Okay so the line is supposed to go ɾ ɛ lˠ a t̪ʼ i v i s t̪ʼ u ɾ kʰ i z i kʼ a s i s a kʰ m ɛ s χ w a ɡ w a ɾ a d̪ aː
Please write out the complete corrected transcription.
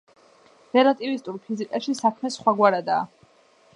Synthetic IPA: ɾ ɛ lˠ a t̪ʼ i v i s t̪ʼ u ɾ pʰ i z i kʼ a ʃ i s a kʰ m ɛ s χ w a ɡ w a ɾ a d̪ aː